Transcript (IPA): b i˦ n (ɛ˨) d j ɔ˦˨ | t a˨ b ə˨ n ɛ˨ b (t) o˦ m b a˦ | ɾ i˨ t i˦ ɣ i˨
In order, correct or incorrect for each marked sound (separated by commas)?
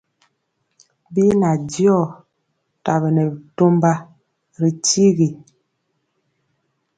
incorrect, correct